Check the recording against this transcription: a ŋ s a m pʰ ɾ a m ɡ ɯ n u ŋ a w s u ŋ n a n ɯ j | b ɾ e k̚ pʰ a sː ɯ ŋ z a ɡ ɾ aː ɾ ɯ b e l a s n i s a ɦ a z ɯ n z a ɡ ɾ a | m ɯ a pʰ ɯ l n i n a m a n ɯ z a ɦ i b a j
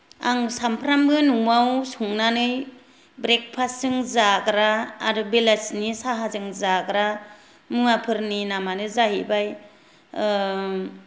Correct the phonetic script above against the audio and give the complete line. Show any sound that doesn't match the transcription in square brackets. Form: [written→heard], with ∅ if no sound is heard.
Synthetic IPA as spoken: a ŋ s a m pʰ ɾ a m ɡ ɯ n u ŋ a w s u ŋ n a n ɯ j | b ɾ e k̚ pʰ a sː ɯ ŋ z a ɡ ɾ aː ɾ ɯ b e l a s n i s a ɦ a z ɯ [n→ŋ] z a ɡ ɾ a | m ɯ a pʰ ɯ [l→ɾ] n i n a m a n ɯ z a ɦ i b a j